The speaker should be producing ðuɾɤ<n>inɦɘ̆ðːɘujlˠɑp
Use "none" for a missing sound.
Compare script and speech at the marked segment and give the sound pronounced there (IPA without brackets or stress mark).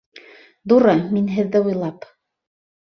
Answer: m